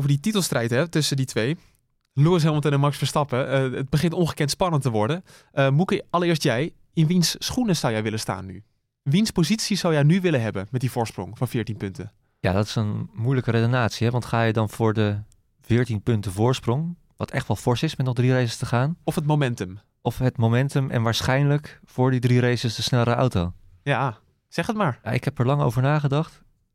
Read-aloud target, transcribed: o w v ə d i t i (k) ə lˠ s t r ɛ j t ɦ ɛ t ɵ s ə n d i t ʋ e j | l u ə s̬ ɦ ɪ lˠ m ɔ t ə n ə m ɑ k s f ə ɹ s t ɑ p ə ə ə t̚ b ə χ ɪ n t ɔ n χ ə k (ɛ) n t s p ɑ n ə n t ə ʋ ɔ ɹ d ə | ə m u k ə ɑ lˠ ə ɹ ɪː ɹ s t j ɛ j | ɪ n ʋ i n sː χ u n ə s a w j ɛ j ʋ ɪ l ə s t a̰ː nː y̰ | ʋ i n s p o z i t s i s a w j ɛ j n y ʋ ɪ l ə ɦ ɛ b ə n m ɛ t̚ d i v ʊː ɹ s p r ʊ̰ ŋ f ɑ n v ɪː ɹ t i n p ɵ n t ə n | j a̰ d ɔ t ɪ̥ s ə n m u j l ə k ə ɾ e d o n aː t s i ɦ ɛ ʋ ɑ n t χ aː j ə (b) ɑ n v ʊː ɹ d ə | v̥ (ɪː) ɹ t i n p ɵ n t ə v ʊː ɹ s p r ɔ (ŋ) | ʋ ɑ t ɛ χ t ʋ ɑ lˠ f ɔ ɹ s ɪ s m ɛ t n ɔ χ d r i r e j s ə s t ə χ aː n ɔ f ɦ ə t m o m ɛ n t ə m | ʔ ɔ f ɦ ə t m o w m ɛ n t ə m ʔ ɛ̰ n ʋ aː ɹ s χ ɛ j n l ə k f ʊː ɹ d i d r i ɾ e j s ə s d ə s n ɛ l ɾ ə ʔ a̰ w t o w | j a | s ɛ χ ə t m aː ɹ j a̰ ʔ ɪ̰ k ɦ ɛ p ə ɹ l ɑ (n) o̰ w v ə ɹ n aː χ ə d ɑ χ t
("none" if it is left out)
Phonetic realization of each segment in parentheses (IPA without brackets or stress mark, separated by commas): t, ɛ, d, ɪː, ŋ, ŋ